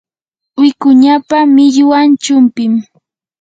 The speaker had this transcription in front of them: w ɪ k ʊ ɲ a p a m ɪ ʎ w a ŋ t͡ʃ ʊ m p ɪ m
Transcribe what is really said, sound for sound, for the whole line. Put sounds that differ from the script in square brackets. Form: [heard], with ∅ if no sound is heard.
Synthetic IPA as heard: w ɪ k ʊ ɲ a p a m ɪ ʎ w a [n] t͡ʃ ʊ m p ɪ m